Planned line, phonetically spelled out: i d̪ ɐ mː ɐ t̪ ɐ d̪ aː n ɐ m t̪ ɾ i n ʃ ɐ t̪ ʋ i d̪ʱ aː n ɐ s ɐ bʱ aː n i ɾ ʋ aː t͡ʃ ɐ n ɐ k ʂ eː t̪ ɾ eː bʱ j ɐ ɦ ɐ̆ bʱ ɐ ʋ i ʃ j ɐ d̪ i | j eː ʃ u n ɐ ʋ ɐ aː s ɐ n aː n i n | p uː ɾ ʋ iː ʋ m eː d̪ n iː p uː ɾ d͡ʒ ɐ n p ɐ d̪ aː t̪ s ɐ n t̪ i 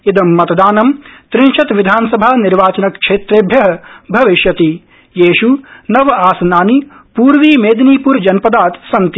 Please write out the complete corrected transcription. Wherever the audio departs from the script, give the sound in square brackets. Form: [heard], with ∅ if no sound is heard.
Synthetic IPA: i d̪ ɐ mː ɐ t̪ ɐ d̪ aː n ɐ m t̪ ɾ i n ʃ ɐ t̪ ʋ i d̪ʱ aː n ɐ s ɐ bʱ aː n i ɾ ʋ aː t͡ʃ ɐ n ɐ k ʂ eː t̪ ɾ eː bʱ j ɐ ɦ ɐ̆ bʱ ɐ ʋ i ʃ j ɐ [t̪] i | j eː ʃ u n ɐ ʋ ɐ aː s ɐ n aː n i [∅] | p uː ɾ ʋ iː [∅] m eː d̪ n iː p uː ɾ d͡ʒ ɐ n p ɐ d̪ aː t̪ s ɐ n t̪ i